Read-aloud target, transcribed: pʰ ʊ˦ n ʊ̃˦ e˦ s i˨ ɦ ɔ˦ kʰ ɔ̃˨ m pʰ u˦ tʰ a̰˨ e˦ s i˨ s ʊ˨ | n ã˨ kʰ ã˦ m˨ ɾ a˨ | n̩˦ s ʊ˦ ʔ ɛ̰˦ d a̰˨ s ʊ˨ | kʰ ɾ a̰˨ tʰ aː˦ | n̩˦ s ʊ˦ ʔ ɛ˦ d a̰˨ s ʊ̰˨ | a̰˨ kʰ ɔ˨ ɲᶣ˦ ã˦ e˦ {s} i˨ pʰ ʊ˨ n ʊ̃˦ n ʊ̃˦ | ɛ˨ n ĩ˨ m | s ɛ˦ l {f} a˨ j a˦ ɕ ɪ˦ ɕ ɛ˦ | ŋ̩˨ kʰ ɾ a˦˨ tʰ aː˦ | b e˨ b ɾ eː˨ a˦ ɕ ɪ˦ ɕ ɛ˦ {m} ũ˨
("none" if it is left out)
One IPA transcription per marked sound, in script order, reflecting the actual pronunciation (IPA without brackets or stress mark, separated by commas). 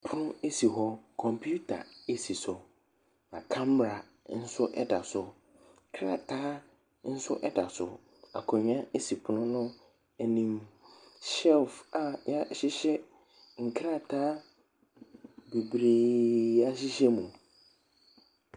s, f, m